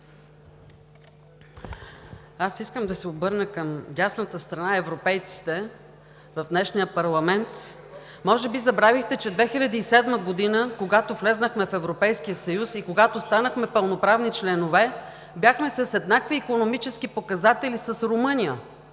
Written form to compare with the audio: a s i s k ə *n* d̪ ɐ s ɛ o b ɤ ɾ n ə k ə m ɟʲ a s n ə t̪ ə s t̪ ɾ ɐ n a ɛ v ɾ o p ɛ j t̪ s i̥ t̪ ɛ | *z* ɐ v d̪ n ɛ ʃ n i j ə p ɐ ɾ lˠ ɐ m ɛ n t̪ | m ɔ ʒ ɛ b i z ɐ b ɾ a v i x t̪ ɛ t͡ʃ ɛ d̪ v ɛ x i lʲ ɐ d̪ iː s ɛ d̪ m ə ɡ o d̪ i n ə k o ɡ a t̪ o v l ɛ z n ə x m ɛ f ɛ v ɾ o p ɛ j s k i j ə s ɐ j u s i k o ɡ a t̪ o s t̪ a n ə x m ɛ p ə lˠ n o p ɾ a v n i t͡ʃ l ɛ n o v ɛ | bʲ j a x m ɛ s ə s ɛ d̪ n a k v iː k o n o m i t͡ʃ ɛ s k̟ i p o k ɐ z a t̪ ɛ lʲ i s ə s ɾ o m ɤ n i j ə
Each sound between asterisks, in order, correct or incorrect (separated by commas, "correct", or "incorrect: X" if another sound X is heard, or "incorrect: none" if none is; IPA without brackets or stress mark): incorrect: m, incorrect: v